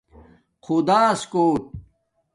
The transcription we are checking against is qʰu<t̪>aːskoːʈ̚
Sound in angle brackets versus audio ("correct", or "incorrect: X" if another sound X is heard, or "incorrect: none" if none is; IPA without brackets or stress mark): incorrect: d̪